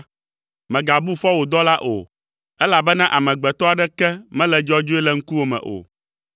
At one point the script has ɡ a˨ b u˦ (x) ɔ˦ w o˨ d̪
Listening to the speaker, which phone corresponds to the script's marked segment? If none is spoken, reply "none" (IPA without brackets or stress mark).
f